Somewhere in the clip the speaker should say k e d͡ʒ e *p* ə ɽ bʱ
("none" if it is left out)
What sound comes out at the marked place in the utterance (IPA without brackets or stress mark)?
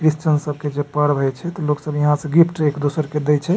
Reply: p